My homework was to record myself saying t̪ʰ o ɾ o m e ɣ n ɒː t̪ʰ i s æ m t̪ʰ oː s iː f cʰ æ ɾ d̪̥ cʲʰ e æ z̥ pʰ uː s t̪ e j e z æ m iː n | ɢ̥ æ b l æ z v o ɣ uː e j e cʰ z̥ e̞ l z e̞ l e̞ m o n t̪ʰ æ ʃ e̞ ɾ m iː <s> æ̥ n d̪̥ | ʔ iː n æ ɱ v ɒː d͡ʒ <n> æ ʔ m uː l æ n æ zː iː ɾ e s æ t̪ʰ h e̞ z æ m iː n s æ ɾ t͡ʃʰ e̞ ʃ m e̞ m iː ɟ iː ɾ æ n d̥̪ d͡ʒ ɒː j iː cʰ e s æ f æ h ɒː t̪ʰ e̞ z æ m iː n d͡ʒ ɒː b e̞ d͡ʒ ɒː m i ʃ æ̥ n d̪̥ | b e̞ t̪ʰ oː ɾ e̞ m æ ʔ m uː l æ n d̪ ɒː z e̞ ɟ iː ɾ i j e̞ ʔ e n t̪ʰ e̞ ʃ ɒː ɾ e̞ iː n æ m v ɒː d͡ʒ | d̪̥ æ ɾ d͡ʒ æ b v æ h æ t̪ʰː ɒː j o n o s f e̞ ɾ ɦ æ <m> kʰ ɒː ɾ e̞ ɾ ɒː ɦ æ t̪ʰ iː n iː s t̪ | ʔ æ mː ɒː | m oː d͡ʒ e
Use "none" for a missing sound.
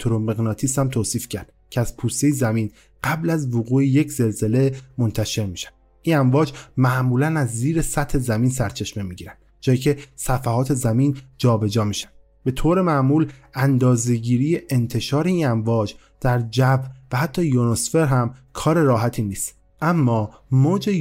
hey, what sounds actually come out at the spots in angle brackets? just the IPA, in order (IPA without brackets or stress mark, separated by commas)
ʃ, m, m